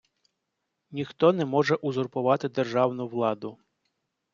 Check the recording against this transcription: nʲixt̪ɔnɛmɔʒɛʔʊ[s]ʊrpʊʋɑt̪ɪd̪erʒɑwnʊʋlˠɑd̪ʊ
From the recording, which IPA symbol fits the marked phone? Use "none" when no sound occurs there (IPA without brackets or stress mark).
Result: z